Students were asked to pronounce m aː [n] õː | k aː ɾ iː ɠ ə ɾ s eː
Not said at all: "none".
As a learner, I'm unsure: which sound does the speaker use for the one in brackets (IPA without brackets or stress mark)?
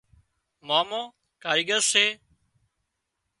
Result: m